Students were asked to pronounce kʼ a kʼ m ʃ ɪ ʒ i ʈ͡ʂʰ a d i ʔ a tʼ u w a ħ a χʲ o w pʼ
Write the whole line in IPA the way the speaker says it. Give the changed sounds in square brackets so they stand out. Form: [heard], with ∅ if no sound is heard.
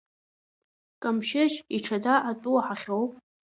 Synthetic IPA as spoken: kʼ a [∅] m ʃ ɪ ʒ i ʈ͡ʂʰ a d [a] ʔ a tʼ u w a ħ a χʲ o w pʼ